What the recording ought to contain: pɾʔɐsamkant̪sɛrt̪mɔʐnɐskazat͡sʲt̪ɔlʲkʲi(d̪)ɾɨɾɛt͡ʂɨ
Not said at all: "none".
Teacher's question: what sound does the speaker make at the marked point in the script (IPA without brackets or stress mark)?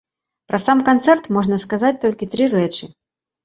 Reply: t̪